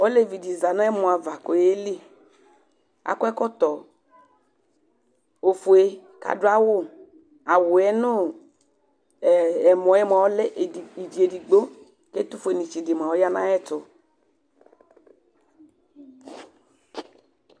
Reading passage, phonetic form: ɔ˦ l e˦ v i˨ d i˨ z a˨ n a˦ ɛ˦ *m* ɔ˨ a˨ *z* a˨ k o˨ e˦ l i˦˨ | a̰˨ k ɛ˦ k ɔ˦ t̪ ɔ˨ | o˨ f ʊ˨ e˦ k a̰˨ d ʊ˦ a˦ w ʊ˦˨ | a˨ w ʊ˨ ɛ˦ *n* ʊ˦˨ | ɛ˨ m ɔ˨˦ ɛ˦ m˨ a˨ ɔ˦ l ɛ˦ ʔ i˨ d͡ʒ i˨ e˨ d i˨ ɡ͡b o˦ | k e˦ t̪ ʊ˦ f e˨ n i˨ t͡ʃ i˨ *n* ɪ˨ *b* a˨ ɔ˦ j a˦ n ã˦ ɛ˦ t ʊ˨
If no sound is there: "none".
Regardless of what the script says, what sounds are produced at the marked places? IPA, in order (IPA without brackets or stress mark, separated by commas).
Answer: m, v, n, d, m